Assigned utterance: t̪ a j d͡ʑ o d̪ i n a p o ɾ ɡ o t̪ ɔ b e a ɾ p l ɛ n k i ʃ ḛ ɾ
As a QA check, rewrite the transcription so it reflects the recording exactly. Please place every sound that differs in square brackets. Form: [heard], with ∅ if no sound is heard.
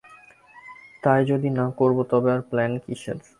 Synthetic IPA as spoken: t̪ a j d͡ʑ o d̪ i n a [k] o ɾ [b] o t̪ ɔ b e a ɾ p l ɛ n k i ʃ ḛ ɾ